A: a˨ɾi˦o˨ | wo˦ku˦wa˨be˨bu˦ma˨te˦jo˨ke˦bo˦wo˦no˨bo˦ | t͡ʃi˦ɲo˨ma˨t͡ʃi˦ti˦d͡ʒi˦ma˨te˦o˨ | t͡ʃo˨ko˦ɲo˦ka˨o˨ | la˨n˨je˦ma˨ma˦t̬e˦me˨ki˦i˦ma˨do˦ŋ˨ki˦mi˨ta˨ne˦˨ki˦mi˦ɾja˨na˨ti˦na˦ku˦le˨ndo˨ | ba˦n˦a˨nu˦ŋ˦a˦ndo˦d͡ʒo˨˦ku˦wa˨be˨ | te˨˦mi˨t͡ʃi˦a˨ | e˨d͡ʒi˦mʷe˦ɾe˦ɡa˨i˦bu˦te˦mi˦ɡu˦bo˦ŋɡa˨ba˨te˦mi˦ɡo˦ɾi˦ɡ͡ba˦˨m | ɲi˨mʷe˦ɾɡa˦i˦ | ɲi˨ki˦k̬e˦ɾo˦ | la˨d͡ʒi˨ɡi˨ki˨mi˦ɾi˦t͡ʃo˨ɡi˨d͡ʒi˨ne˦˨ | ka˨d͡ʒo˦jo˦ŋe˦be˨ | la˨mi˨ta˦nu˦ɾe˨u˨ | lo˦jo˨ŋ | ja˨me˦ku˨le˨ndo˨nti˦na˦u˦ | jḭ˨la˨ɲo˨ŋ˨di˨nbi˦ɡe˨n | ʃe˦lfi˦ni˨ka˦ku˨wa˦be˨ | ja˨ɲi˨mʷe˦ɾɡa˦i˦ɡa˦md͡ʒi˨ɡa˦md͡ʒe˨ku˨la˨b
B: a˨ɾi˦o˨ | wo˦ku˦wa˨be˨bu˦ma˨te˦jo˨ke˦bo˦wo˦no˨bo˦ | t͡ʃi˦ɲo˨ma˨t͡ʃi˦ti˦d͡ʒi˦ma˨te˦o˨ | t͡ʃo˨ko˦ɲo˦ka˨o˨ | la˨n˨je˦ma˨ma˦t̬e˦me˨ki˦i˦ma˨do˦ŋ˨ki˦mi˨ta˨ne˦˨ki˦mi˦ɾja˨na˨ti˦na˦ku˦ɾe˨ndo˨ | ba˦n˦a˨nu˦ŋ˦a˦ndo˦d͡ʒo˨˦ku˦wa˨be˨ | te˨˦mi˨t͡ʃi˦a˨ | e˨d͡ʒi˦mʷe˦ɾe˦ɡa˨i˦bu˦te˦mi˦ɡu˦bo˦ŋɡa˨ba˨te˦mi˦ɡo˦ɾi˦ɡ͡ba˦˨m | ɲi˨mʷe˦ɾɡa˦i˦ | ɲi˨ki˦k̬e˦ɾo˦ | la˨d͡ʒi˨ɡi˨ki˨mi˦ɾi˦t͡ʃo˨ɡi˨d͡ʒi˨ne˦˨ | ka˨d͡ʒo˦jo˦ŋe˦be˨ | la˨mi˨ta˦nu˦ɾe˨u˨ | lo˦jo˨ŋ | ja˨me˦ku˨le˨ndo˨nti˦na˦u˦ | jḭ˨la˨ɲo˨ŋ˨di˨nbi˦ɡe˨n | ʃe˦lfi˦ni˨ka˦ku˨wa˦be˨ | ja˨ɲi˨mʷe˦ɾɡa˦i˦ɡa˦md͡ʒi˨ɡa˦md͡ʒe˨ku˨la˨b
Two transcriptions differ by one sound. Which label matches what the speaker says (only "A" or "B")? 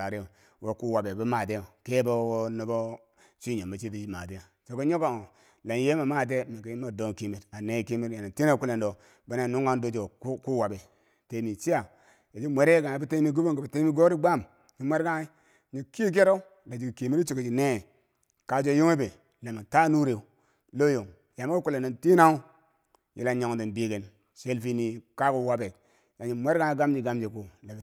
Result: A